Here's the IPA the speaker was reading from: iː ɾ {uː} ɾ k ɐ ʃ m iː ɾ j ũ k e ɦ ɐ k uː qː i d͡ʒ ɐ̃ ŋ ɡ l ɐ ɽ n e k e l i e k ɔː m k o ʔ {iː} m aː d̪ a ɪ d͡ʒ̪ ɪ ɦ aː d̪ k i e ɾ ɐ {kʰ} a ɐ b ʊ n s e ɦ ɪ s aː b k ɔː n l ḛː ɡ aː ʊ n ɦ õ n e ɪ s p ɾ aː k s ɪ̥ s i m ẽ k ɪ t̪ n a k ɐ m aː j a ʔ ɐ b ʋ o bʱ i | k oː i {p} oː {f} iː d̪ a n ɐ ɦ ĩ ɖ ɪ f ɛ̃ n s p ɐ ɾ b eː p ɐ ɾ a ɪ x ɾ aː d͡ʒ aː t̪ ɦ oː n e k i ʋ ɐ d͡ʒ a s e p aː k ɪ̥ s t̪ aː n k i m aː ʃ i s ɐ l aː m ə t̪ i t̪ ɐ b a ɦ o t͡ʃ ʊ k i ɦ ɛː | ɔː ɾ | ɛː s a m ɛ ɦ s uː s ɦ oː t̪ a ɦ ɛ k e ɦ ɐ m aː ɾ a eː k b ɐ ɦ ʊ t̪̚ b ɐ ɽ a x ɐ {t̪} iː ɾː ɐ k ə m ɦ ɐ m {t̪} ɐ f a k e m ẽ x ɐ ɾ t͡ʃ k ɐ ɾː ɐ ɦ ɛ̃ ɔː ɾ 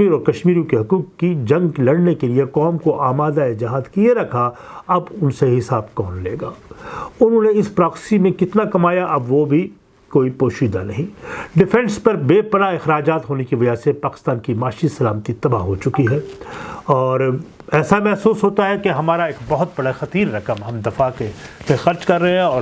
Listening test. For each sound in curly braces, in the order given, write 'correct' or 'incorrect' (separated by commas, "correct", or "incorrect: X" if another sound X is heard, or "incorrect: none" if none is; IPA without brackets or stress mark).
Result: incorrect: ɔː, incorrect: aː, correct, correct, incorrect: ʃ, correct, incorrect: d̪